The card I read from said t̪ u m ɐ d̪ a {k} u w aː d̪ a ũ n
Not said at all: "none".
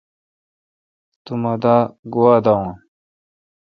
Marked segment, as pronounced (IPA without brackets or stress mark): ɡ